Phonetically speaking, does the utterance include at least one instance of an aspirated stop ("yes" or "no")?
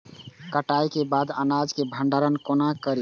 no